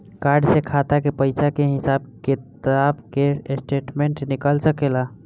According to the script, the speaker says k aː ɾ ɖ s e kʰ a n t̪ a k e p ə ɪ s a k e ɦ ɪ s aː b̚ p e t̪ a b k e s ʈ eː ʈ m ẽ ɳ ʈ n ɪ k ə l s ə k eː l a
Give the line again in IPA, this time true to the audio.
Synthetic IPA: k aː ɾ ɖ s e kʰ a t̪ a k e p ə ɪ s a k e ɦ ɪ s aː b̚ k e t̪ a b k e s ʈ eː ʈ m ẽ ɳ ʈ n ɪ k ə l s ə k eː l a